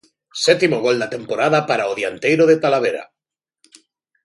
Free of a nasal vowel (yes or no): yes